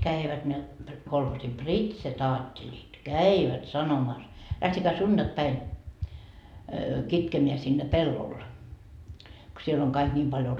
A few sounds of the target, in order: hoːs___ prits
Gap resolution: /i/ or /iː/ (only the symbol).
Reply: i